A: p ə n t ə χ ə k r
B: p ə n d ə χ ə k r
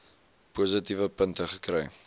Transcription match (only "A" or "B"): A